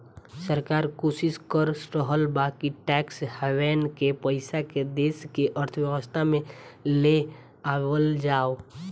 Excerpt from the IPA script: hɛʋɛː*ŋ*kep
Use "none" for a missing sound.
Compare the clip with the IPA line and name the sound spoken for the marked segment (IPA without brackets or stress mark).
n